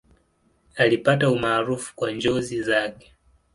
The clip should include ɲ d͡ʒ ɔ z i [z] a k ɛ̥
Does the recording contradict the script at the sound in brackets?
no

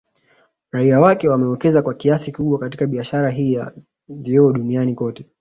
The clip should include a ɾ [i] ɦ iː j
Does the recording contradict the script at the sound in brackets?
yes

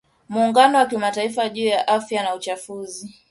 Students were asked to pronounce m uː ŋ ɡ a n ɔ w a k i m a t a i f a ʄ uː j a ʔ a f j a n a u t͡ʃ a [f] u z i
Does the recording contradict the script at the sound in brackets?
no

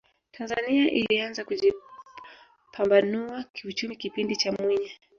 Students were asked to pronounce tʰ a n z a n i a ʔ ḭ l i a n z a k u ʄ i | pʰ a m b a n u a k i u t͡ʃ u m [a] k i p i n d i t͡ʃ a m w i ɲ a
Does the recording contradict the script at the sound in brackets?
yes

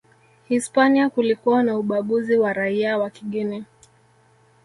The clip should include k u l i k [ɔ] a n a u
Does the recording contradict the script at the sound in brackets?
yes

